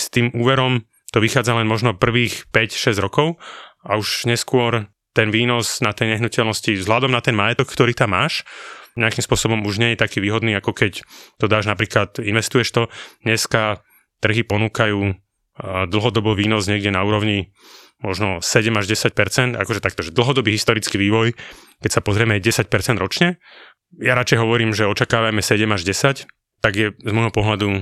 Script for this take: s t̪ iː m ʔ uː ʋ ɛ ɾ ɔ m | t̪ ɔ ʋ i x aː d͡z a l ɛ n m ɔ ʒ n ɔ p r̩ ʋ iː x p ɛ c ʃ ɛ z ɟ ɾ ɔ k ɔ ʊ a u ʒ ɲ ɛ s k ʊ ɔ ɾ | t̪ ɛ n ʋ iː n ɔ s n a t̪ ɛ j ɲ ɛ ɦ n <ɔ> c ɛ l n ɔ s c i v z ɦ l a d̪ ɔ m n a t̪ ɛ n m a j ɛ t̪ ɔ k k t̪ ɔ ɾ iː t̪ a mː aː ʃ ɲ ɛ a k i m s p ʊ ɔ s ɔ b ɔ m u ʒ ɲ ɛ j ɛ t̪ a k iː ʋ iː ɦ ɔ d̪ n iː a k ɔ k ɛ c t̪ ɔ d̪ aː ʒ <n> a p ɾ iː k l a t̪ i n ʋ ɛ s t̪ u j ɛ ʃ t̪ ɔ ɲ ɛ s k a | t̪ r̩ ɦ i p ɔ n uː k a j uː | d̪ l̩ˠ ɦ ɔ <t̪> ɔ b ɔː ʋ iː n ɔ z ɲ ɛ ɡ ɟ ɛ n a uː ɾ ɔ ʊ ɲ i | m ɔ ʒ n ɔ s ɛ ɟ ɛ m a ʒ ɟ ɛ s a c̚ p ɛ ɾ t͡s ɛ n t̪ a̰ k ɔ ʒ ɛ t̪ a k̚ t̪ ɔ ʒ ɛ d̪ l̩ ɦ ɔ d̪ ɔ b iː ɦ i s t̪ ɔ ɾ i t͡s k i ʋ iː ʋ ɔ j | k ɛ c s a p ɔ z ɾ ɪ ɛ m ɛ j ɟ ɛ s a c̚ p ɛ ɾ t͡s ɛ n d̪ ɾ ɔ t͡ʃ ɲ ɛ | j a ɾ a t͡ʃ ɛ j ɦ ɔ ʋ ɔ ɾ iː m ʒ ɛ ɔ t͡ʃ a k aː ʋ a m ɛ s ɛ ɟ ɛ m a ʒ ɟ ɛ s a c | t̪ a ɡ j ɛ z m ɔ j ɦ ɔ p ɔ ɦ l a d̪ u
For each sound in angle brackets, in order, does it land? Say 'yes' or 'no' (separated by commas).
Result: no, yes, no